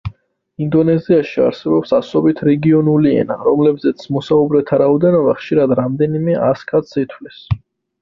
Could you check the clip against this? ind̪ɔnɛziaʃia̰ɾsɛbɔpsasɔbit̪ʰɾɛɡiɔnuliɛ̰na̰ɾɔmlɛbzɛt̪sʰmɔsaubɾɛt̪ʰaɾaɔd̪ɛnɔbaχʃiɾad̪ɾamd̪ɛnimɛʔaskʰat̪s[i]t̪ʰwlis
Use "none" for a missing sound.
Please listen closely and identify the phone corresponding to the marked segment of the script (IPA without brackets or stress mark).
i